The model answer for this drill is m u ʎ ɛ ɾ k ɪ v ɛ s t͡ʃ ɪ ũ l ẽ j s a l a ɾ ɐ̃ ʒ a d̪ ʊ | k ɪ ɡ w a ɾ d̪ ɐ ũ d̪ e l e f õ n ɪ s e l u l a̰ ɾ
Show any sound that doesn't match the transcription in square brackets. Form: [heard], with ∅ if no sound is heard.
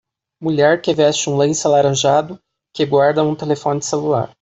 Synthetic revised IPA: m u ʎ ɛ ɾ k ɪ v ɛ s t͡ʃ ɪ ũ l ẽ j s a l a ɾ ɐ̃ ʒ a d̪ ʊ | k ɪ ɡ w a ɾ d̪ ɐ ũ [t̪] e l e f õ n ɪ s e l u l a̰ ɾ

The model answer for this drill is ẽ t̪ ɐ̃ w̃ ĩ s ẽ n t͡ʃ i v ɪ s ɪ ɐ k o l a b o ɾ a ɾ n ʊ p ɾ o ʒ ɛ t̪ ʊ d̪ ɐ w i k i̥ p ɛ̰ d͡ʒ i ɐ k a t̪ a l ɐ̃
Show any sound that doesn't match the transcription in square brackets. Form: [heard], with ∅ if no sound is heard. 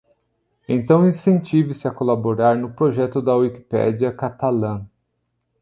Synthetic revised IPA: ẽ t̪ ɐ̃ w̃ ĩ s ẽ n t͡ʃ i v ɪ s ɪ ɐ k o l a b o ɾ a ɾ n ʊ p ɾ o ʒ ɛ t̪ ʊ d̪ ɐ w i k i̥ p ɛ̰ d͡ʒ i ɐ k a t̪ a l ɐ̃

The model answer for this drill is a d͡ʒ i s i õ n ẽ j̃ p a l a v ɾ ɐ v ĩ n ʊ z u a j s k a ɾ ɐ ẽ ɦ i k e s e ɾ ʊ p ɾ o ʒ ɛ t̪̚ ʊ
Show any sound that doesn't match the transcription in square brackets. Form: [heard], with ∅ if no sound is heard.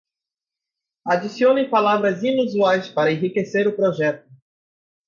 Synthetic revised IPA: a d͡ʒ i s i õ n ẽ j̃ p a l a v ɾ ɐ [z] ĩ n [u] z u a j s [p] a ɾ ɐ ẽ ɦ i k e s e ɾ ʊ p ɾ o ʒ ɛ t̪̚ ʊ

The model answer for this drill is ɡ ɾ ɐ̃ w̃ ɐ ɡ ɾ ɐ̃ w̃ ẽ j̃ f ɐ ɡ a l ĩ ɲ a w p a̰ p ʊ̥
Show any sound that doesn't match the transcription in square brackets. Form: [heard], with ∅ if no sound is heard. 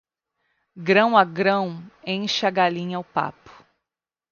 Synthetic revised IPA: ɡ ɾ ɐ̃ w̃ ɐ ɡ ɾ ɐ̃ w̃ ẽ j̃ [ʃ] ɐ ɡ a l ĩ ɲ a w p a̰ p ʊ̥

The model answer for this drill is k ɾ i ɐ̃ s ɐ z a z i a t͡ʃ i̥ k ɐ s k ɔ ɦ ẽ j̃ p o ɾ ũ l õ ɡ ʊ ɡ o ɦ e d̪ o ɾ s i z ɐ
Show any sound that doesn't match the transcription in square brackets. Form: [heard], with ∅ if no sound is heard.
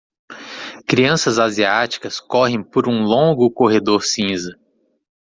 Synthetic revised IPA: k ɾ i ɐ̃ s ɐ z a z i a t͡ʃ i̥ k ɐ s k ɔ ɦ ẽ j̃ p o ɾ ũ l õ ɡ ʊ [k] o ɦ e d̪ o ɾ s [ĩ] z ɐ

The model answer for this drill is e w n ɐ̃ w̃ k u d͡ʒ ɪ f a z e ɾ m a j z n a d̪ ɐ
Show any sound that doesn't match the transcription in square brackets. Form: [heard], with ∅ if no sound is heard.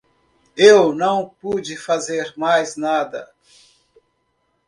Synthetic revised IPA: e w n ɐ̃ w̃ [p] u d͡ʒ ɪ f a z e ɾ m a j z n a d̪ ɐ

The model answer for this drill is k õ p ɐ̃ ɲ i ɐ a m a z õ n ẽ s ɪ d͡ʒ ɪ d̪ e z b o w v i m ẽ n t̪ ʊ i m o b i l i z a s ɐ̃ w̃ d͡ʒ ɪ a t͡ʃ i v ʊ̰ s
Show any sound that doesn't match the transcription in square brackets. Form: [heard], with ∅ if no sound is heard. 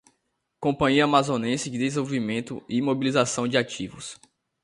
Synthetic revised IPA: k õ p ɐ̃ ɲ i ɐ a m a z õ n ẽ s ɪ d͡ʒ ɪ d̪ e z [v] o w v i m ẽ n t̪ ʊ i m o b i l i z a s ɐ̃ w̃ d͡ʒ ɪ a t͡ʃ i v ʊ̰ s

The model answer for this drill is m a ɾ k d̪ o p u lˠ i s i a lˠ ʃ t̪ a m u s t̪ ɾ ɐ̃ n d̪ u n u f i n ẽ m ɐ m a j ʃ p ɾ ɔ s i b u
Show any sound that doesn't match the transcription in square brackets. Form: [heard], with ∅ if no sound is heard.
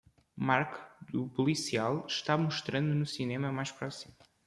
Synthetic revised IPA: m a ɾ k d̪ [u] p u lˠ i s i a lˠ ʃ t̪ a m u [ʃ] t̪ ɾ ɐ̃ n d̪ u n u [s] i n [e] m ɐ m a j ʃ p ɾ ɔ s i [m] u

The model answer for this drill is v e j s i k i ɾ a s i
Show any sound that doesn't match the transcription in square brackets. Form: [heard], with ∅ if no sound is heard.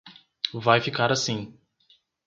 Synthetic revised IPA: v [a] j [f] i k [a] ɾ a s [ĩ]

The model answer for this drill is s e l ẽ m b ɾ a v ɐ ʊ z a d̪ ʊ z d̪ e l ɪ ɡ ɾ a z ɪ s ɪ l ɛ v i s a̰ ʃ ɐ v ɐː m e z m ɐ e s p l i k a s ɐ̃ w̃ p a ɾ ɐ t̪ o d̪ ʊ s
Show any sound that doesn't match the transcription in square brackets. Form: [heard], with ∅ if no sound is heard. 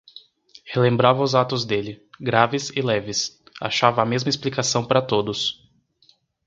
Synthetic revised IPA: [h] e l ẽ m b ɾ a v ɐ ʊ z a [t̪] ʊ z d̪ e l ɪ ɡ ɾ a [v] ɪ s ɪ l ɛ v [ɪ] s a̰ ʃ [a] v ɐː m e z m ɐ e s p l i k a s ɐ̃ w̃ p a ɾ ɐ t̪ o d̪ ʊ s

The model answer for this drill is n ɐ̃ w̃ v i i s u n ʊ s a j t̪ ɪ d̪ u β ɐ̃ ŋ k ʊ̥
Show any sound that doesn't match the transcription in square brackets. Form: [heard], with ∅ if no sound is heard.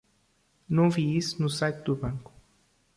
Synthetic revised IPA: n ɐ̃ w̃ v i i s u n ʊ s a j t̪ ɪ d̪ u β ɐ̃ ŋ k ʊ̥

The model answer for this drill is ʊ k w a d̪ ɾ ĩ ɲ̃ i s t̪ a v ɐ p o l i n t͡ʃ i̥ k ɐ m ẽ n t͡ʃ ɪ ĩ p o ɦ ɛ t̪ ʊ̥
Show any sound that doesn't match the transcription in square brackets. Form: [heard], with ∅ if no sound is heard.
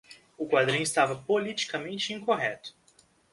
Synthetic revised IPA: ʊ k w a d̪ ɾ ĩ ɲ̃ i s t̪ a v ɐ p o l i [∅] t͡ʃ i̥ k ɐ m ẽ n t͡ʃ ɪ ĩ [k] o ɦ ɛ t̪ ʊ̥

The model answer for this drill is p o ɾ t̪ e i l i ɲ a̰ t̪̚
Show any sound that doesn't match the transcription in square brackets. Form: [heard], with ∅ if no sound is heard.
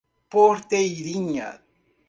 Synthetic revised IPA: p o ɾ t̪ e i [ɾ] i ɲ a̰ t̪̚

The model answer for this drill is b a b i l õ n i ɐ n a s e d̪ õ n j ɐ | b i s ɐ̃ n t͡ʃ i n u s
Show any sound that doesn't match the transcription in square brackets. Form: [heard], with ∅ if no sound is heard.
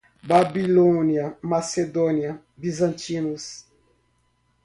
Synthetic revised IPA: b a b i l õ n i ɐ [m] a s e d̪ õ n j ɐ | b i [z] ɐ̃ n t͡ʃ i n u s

